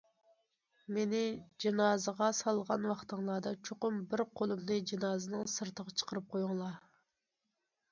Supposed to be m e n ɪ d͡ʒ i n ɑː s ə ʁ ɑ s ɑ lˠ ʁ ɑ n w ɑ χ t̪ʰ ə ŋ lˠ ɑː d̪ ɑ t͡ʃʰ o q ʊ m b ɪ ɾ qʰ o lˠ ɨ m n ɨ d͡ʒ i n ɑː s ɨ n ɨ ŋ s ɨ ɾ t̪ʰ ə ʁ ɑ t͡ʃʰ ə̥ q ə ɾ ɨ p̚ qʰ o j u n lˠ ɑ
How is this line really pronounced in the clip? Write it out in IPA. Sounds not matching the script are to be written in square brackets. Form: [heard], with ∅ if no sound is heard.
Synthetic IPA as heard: m e n ɪ d͡ʒ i n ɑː [z] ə ʁ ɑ s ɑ lˠ ʁ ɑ n w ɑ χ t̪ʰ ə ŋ lˠ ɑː d̪ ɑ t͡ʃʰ o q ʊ m b ɪ ɾ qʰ o lˠ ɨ m n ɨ d͡ʒ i n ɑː [z] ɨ n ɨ ŋ s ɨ ɾ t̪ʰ ə ʁ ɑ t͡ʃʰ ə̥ q ə ɾ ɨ p̚ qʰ o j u [ŋ] lˠ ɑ